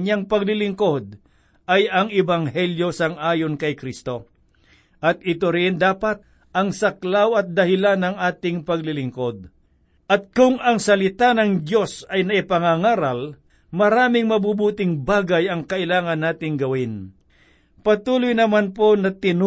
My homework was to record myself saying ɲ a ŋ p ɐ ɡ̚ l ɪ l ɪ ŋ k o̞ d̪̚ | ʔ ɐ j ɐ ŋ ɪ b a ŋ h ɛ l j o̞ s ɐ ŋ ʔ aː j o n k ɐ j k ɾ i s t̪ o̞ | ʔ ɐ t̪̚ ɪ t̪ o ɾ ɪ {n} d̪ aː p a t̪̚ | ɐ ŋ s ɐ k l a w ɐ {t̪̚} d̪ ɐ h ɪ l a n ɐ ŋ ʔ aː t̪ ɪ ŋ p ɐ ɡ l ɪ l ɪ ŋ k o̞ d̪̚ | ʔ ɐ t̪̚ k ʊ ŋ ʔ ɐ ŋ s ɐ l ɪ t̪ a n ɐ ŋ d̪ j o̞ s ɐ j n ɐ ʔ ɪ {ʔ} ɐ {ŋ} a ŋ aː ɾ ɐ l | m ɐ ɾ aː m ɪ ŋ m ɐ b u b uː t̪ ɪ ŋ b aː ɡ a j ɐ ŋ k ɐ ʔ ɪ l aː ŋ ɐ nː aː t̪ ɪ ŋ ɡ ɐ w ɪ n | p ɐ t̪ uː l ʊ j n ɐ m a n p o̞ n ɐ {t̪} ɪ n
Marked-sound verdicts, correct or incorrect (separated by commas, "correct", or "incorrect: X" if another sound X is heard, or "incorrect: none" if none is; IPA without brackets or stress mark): correct, correct, incorrect: p, correct, correct